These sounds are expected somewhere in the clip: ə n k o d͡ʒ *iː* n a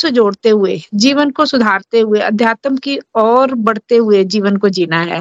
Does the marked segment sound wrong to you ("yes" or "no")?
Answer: no